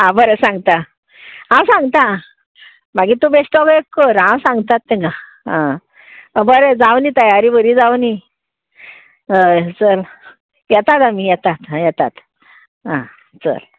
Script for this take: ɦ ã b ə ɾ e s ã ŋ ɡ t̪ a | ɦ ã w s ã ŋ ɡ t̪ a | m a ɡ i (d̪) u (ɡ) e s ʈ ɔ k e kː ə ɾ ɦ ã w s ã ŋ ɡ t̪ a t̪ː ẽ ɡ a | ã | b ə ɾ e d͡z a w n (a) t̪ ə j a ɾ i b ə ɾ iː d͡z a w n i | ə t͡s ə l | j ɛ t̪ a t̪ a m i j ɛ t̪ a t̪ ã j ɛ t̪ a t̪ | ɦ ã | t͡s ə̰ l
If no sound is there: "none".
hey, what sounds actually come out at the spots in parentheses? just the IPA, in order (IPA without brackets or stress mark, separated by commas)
t̪, b, i